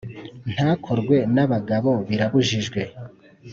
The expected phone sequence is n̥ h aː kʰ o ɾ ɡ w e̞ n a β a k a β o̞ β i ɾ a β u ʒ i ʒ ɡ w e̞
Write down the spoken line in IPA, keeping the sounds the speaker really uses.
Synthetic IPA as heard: n̥ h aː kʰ o ɾ ɡ w e̞ n a β a ɡ a β o̞ β i ɾ a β u ʒ i ʒ ɡ w e̞